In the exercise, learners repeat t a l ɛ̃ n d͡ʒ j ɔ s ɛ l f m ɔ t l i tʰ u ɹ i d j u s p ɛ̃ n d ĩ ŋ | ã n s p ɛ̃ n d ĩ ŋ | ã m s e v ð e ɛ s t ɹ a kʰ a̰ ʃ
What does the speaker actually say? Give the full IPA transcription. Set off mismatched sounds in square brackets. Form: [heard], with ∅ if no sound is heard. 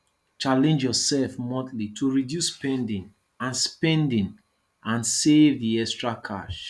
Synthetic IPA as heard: [t͡ʃ] a l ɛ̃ n d͡ʒ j ɔ s ɛ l f m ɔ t l i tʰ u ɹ i d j u s p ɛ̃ n d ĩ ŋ | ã n s p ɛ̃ n d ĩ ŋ | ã [n] s e v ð [i] ɛ s t ɹ a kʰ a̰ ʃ